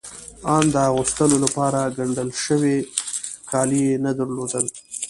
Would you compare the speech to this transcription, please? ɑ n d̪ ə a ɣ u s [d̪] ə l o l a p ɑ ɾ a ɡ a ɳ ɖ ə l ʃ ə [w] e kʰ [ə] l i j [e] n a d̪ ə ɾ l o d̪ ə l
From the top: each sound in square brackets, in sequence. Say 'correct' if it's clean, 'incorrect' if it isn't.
incorrect, correct, incorrect, correct

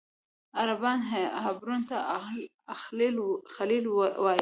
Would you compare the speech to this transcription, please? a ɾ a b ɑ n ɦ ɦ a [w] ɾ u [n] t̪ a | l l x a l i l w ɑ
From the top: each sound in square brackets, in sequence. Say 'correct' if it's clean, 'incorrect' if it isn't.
incorrect, correct

